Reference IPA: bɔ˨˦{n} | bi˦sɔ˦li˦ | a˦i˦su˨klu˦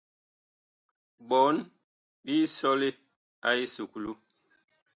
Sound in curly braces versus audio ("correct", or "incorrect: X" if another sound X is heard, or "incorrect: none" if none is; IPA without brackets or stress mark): correct